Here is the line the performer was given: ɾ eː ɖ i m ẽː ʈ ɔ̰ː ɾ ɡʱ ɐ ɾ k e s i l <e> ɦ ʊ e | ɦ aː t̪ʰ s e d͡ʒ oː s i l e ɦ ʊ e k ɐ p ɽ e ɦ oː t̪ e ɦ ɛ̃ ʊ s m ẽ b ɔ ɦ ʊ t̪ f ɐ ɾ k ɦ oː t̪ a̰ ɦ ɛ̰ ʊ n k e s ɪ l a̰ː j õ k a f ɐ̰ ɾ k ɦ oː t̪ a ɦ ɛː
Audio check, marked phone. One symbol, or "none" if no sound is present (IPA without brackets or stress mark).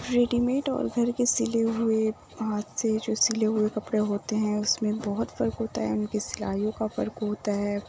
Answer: e